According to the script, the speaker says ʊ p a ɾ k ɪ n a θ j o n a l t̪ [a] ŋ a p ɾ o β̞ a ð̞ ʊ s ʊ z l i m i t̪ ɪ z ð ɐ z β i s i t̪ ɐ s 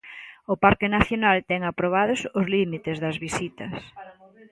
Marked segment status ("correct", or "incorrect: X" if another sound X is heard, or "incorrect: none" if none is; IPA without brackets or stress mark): incorrect: ɛ